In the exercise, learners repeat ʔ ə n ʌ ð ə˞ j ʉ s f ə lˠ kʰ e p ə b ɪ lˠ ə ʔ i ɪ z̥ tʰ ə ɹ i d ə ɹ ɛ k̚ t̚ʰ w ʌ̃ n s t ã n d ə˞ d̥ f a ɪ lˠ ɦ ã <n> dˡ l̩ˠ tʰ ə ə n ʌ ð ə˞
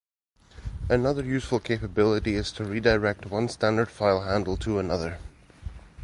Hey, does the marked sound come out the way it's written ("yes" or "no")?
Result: yes